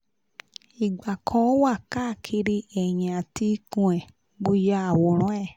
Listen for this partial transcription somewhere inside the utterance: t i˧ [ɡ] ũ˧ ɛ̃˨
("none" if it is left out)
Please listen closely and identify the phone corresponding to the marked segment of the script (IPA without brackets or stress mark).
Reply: k